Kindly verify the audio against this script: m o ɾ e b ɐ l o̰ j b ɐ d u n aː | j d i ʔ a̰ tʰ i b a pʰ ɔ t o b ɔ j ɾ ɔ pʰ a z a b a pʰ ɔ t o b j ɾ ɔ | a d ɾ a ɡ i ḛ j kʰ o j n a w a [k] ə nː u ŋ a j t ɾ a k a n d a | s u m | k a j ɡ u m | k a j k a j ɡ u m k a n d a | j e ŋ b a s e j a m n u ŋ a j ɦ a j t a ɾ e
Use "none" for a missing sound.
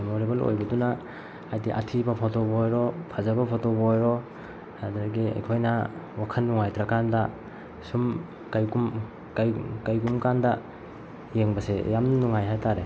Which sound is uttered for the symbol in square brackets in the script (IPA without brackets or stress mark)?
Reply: kʰ